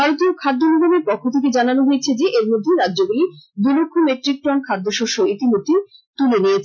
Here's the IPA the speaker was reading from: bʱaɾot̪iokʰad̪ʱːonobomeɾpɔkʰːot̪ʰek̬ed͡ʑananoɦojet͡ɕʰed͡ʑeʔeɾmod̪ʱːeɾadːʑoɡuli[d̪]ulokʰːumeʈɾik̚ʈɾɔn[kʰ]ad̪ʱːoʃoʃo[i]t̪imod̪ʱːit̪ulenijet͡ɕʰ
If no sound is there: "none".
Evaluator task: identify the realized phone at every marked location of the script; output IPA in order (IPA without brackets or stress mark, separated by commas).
d̪, kʰ, i